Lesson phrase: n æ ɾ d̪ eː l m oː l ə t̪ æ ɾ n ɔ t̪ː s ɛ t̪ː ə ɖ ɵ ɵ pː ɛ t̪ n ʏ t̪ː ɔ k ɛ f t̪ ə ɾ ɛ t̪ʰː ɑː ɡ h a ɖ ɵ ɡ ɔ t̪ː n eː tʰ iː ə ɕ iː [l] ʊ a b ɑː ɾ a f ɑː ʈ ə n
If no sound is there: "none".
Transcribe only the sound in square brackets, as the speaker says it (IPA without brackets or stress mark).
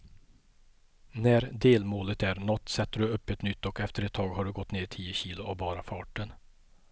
l